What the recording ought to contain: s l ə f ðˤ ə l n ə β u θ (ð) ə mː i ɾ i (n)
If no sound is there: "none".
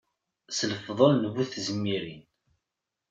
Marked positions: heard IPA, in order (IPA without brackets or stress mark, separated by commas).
z, n